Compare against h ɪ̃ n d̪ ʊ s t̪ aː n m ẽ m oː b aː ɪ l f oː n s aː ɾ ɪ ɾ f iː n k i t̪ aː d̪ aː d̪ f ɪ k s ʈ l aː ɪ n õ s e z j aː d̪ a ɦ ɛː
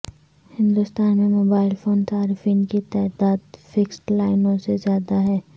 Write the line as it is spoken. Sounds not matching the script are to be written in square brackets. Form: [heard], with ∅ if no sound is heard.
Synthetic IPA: h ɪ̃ n d̪ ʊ s t̪ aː n m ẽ m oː b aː ɪ l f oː n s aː ɾ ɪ [∅] f iː n k i t̪ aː d̪ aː d̪ f ɪ k s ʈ l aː ɪ n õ s e z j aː d̪ a ɦ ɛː